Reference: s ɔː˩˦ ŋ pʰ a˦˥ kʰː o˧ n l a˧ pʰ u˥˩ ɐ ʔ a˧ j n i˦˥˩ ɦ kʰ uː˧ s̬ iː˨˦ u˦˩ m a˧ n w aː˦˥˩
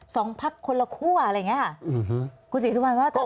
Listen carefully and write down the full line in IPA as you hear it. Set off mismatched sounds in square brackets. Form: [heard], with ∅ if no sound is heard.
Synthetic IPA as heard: s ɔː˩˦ ŋ pʰ a˦˥ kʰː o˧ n l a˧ [kʰ] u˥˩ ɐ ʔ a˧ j [ŋ] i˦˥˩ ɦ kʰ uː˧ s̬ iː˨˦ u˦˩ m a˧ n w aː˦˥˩